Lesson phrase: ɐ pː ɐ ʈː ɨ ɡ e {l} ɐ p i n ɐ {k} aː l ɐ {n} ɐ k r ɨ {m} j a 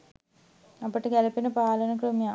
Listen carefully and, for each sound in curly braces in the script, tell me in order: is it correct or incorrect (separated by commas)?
correct, incorrect, correct, correct